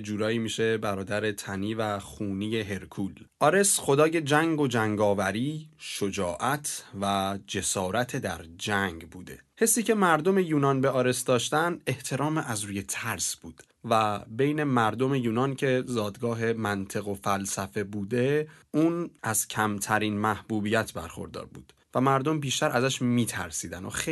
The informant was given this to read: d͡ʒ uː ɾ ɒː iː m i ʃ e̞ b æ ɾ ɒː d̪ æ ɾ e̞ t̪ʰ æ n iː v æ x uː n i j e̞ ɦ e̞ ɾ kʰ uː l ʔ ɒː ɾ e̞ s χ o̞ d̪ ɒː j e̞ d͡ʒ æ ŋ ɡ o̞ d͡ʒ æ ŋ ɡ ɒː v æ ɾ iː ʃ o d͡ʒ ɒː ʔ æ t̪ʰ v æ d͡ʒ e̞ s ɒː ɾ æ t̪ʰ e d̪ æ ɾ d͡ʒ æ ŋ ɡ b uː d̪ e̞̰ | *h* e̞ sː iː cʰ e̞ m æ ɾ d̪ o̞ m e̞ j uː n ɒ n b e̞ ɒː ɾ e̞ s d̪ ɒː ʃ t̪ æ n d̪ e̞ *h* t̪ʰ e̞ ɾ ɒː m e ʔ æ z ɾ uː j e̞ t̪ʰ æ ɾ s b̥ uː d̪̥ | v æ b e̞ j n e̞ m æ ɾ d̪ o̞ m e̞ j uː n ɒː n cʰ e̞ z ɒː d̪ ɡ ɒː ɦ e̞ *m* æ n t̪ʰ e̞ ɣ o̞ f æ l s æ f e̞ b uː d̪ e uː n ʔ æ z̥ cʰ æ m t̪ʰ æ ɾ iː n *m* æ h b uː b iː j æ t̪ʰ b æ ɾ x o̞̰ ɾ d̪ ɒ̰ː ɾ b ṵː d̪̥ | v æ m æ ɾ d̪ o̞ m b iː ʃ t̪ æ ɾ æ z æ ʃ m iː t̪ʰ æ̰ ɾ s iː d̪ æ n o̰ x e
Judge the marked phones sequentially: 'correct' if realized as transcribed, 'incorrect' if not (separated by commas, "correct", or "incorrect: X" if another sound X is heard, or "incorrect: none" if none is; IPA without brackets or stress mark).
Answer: correct, correct, correct, correct